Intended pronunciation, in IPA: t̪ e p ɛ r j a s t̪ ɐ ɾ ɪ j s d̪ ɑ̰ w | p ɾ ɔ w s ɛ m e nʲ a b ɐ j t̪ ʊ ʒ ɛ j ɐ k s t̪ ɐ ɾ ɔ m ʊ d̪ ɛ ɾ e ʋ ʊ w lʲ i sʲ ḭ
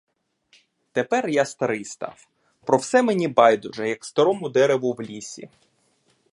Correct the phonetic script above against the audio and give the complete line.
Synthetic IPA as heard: t̪ e p ɛ r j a s t̪ ɐ ɾ ɪ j s t̪ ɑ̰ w | p ɾ ɔ w s ɛ m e nʲ i b ɑ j d̪ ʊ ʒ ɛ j ɐ k s t̪ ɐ ɾ ɔ m ʊ d̪ ɛ ɾ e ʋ ʊ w lʲ i sʲ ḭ